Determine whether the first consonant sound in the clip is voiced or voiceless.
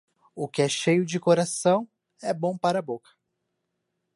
voiceless